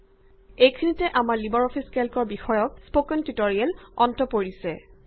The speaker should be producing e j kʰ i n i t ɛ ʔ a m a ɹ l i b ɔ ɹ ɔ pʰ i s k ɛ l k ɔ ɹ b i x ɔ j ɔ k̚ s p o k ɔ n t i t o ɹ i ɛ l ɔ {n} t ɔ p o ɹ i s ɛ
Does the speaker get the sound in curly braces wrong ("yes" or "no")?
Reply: no